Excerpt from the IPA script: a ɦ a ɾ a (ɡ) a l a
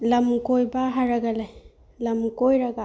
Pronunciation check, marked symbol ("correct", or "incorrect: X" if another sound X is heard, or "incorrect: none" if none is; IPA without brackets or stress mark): correct